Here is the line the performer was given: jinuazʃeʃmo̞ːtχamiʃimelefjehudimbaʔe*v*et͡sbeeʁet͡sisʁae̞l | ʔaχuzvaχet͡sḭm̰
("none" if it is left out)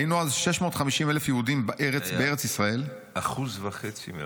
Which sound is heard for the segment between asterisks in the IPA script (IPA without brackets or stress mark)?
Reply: ʁ